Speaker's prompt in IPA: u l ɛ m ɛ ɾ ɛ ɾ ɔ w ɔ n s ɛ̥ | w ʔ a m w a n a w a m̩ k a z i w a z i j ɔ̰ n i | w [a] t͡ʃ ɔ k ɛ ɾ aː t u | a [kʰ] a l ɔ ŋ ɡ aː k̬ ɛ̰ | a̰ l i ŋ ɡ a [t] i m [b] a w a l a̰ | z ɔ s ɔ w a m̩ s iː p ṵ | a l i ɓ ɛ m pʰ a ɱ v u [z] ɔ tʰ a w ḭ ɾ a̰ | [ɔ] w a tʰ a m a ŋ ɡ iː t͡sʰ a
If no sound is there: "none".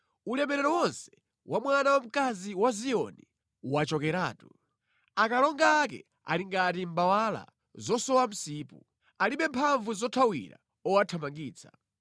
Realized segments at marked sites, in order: a, k, t, b, z, ɔ

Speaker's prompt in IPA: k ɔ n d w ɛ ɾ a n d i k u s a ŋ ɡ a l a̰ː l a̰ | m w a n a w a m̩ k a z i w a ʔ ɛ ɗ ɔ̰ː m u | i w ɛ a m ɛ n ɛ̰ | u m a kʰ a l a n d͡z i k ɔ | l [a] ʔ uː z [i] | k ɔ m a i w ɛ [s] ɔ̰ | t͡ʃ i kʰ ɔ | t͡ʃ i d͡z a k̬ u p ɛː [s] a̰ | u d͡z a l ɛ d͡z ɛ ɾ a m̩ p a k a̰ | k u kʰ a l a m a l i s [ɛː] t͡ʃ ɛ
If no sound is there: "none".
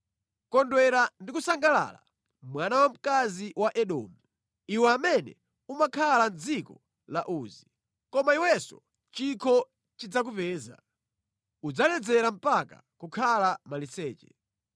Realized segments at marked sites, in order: a, i, s, z, ɛː

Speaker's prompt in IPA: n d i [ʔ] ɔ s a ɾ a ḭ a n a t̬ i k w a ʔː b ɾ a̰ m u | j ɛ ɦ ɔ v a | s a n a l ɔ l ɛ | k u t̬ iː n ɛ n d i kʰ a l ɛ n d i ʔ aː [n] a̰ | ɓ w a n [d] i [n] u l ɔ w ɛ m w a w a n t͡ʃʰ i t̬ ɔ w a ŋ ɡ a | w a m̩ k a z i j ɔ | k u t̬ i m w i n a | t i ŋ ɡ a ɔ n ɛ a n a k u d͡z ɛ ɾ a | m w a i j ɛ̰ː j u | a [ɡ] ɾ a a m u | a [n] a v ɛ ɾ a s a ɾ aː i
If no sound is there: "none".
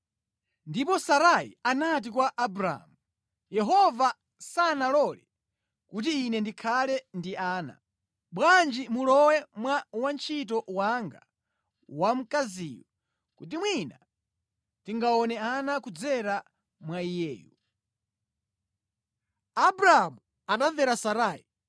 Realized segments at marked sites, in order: p, n, d͡ʒ, m, b, n

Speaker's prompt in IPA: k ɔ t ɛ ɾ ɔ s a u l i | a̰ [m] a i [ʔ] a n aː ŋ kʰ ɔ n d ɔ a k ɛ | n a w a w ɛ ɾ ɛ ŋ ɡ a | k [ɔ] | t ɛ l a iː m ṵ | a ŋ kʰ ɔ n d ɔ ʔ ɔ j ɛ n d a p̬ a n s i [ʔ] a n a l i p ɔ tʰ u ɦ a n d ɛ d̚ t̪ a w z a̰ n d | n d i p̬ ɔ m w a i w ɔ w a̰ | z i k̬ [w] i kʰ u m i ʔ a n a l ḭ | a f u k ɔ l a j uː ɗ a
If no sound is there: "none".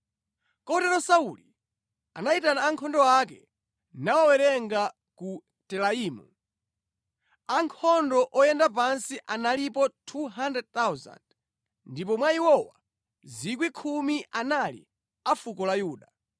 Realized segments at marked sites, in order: n, t, u, ʔ, w

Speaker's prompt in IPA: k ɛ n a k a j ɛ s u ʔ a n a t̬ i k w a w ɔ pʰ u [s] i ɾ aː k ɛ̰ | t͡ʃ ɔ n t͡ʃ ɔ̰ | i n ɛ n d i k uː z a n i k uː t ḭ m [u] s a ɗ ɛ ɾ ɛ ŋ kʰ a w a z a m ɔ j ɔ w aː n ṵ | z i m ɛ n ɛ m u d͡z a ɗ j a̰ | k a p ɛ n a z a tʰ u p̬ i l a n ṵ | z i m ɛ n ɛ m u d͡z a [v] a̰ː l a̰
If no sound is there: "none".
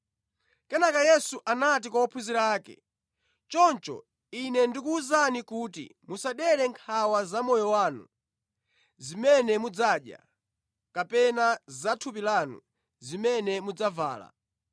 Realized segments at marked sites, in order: z, u, v

